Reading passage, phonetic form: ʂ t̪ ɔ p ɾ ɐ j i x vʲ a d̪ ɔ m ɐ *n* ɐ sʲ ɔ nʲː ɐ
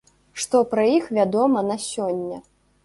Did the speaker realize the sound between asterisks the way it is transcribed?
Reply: yes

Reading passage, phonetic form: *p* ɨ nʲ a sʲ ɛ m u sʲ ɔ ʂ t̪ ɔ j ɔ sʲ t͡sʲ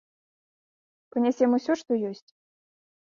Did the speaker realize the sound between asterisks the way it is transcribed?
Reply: yes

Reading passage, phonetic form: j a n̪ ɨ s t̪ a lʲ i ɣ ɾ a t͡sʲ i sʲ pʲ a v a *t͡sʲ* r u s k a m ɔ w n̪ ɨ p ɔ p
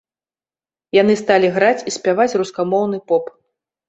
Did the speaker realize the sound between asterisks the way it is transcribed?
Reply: yes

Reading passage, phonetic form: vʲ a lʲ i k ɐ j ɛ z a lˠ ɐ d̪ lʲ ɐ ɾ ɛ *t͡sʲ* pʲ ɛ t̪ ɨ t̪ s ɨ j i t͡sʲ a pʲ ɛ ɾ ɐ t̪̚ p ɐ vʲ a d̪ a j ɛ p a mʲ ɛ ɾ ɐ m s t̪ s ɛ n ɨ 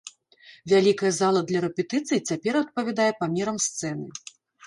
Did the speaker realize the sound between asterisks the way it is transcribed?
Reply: no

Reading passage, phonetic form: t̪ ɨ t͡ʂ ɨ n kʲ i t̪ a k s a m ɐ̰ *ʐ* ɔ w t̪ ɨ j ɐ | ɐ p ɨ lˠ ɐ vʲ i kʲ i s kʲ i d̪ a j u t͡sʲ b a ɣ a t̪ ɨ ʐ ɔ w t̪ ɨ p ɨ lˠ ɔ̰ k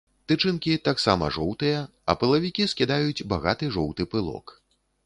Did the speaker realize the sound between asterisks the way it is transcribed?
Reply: yes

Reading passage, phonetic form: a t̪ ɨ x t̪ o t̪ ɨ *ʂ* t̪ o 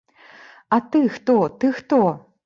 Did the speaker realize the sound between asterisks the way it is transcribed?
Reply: no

